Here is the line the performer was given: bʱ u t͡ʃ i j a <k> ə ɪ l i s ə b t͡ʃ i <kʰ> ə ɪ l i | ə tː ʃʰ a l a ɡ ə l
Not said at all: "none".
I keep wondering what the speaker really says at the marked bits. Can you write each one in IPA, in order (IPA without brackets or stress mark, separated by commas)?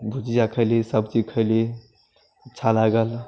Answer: kʰ, kʰ